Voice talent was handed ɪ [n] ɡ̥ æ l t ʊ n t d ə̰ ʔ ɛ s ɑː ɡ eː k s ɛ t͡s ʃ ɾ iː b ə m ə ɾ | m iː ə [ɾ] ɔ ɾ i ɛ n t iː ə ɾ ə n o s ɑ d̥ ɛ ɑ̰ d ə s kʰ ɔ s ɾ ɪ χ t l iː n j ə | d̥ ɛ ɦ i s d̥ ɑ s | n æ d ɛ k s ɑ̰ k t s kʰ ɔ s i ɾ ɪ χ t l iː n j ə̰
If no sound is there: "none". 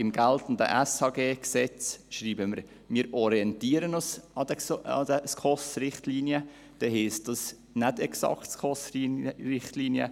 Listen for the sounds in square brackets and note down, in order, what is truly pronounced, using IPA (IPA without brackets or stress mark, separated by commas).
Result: m, ɾ